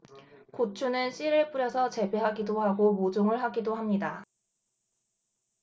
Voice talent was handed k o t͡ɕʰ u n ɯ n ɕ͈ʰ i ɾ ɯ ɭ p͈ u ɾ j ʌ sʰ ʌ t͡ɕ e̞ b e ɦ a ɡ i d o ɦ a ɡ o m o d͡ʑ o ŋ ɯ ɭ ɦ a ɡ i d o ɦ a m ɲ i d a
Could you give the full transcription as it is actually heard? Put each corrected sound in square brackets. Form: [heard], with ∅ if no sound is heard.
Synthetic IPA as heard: k o t͡ɕʰ u n ɯ n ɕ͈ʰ i ɾ ɯ ɭ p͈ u ɾ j ʌ sʰ ʌ t͡ɕ e̞ b e ɦ a ɡ i d o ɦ a ɡ o m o d͡ʑ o ŋ ɯ ɭ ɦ a ɡ i d o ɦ a m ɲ i d a